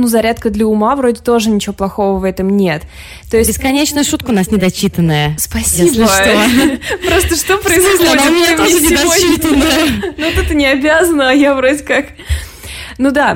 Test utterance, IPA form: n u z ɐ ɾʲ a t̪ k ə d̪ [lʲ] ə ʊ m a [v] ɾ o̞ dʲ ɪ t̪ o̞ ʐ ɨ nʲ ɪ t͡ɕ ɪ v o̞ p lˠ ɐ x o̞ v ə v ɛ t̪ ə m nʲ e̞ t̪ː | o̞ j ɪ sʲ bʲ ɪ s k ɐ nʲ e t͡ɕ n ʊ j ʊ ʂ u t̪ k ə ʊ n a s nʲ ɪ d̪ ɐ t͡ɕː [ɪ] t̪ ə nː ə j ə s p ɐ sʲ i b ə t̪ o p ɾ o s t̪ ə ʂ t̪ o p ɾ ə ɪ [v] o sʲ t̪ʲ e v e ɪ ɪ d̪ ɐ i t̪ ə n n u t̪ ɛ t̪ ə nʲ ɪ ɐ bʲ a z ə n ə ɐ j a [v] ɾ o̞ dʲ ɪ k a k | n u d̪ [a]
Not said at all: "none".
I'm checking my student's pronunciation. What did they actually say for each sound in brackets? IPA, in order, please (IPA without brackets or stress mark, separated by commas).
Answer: lʲ, v, i, z, v, a